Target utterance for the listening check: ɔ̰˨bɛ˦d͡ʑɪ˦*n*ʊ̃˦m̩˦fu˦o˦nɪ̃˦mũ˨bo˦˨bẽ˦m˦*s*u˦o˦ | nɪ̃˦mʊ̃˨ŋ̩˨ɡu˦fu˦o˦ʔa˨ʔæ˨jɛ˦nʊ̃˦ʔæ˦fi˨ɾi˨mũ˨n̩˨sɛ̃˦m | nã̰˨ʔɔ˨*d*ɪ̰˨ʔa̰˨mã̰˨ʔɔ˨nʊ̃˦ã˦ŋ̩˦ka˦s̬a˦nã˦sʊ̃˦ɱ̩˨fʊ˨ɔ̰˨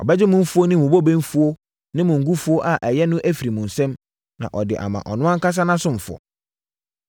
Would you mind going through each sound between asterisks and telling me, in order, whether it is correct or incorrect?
incorrect, incorrect, correct

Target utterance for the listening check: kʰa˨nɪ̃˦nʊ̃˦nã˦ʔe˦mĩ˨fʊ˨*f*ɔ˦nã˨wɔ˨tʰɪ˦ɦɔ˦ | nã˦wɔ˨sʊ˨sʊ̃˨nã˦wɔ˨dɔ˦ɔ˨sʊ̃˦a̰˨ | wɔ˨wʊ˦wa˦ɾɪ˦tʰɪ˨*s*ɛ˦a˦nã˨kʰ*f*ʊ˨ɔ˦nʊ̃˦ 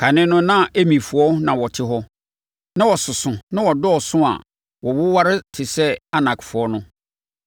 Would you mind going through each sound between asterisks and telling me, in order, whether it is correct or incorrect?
incorrect, correct, correct

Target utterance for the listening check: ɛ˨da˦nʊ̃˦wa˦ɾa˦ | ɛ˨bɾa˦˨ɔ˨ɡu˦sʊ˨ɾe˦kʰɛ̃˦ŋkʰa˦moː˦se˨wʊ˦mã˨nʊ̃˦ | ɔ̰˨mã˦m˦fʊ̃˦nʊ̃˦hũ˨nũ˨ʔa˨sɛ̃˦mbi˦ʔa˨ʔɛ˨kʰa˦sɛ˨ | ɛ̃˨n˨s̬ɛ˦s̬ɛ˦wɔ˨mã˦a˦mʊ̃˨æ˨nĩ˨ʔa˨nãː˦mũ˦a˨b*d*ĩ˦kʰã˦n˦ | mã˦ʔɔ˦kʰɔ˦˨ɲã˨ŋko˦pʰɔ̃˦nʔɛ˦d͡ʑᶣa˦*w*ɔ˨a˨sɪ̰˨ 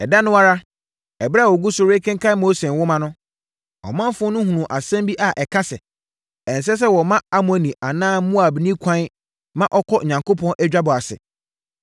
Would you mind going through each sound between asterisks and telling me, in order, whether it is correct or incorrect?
incorrect, incorrect

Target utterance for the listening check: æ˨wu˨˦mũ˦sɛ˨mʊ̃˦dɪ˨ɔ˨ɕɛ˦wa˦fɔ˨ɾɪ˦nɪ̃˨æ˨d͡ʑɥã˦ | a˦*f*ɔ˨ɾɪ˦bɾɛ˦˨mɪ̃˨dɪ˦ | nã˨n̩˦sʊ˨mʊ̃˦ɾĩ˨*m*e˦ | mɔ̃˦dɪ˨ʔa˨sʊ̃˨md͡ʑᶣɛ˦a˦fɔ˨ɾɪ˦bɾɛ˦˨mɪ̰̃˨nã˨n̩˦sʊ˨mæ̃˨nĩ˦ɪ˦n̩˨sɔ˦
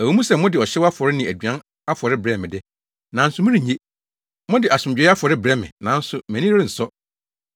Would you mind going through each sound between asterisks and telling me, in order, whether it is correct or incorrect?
correct, incorrect

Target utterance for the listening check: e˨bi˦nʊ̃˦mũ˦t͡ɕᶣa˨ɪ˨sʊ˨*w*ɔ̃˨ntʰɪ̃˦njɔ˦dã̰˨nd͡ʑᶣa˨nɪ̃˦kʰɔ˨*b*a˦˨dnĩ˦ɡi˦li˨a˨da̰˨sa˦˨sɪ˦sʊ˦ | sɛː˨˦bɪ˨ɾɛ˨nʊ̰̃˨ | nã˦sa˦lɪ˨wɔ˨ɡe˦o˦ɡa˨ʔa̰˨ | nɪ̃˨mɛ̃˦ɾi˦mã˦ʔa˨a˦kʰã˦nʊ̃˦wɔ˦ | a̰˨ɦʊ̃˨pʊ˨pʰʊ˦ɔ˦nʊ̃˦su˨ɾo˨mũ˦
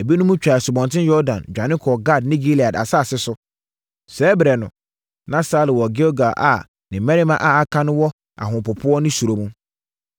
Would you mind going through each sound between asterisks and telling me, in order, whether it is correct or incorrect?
incorrect, incorrect

